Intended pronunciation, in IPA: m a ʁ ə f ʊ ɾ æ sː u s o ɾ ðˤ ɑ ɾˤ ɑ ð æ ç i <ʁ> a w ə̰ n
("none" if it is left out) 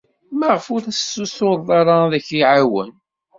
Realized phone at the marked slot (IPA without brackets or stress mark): ʕ